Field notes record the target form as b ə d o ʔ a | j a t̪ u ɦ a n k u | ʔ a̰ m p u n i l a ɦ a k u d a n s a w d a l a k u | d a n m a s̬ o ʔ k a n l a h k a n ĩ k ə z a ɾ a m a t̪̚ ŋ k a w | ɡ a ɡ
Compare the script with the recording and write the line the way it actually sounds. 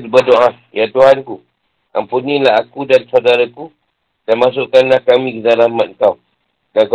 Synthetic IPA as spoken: b ə d o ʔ a | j a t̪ u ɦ a n k u | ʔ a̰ m p u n i l a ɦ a k u d a n s a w d a ɾ a k u | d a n m a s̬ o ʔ k a n l a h k a m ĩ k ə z a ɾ a m a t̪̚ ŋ k a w | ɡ a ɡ